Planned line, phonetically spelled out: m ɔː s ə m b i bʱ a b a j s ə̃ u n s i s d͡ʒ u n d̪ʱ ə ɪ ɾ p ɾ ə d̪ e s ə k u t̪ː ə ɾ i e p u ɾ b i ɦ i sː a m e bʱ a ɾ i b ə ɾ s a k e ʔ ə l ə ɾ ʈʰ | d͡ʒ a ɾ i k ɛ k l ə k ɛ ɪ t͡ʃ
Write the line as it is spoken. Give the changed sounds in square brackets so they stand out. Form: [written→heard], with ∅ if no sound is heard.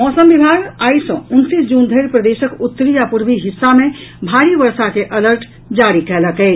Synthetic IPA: m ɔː s ə m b i bʱ a [b→ɡ] a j s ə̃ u n s i s d͡ʒ u n d̪ʱ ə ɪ ɾ p ɾ ə d̪ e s ə k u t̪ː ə ɾ i [e→a] p u ɾ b i ɦ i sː a m e bʱ a ɾ i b ə ɾ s a k e ʔ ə l ə ɾ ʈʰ | d͡ʒ a ɾ i k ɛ [k→∅] l ə k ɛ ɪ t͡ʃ

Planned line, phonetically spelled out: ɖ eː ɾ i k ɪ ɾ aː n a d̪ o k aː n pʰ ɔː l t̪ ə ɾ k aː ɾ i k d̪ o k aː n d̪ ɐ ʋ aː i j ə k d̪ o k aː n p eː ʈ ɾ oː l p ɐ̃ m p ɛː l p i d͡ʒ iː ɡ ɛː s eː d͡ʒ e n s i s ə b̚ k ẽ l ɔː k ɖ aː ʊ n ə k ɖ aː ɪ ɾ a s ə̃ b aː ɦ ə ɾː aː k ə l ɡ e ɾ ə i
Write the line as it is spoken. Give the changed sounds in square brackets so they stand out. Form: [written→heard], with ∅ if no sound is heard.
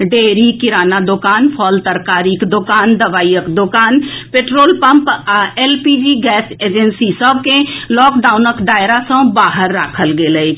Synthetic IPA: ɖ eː ɾ i k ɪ ɾ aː n a d̪ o k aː n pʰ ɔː l t̪ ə ɾ k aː ɾ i k d̪ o k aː n d̪ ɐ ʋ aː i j ə k d̪ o k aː n p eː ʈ ɾ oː l p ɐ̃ m p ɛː l p i d͡ʒ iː ɡ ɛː s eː d͡ʒ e n s i s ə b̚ k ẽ l ɔː k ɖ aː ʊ n ə k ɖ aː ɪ ɾ a s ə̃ b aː ɦ ə ɾː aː [k→kʰ] ə l ɡ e [ɾ→l] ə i

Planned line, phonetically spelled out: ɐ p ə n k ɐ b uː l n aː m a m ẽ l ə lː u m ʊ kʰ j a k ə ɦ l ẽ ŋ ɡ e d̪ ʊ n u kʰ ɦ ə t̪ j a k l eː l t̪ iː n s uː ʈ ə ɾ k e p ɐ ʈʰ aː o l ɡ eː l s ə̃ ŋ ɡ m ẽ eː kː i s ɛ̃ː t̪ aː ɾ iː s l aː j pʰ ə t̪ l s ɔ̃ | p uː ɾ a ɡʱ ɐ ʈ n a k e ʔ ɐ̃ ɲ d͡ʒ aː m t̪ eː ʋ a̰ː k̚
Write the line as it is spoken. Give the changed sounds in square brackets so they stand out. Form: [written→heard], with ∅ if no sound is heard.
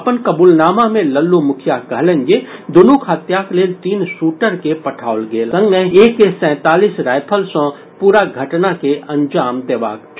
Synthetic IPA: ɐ p ə n k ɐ b uː l n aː m a m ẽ l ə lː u m ʊ kʰ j a k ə ɦ l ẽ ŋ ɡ e d̪ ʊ n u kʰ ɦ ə t̪ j a k l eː l t̪ iː n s uː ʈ ə ɾ k e p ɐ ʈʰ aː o l ɡ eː l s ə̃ ŋ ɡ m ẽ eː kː [i→e] s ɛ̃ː t̪ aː [ɾ→l] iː s [l→ɾ] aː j pʰ ə [t̪→∅] l s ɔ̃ | p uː ɾ a ɡʱ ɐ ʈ n a k e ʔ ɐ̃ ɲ d͡ʒ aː m [t̪→d̪] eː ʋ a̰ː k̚

